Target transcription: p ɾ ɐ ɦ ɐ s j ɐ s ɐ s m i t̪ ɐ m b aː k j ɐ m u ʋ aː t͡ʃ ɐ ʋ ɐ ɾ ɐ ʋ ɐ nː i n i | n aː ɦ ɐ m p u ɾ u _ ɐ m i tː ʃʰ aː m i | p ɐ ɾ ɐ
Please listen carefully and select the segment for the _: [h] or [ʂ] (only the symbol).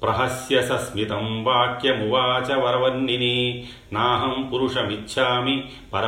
ʂ